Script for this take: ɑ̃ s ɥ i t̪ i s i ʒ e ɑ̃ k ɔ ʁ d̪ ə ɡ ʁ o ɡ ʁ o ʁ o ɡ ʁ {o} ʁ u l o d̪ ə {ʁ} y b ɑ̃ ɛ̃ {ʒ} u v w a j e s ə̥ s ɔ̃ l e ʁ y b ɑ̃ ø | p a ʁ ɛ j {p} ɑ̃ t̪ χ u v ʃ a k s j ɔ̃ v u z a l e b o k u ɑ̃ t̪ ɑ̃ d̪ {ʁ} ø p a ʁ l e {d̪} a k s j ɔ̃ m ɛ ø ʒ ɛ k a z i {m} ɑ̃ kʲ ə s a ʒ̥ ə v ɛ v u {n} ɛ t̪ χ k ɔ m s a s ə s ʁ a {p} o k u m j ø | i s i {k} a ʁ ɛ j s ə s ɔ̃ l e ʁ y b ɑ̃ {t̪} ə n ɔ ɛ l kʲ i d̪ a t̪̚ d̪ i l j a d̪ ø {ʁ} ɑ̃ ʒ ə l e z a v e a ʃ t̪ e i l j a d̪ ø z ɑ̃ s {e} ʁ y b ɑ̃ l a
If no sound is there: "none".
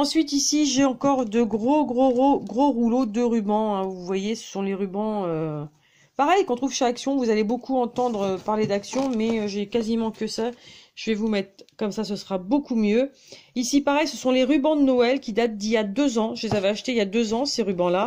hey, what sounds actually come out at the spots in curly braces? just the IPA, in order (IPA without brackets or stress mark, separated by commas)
o, ʁ, v, k, ʁ, d̪, m, m, b, p, d̪, z, e